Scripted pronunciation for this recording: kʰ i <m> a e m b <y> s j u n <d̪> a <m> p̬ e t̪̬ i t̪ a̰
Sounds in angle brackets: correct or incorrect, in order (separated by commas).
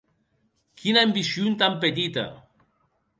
incorrect, incorrect, incorrect, correct